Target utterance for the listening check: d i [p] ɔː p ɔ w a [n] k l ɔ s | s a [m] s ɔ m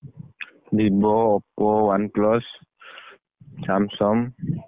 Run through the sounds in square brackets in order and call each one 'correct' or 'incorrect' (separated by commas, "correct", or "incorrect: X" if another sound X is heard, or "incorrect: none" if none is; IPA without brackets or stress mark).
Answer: incorrect: b, correct, correct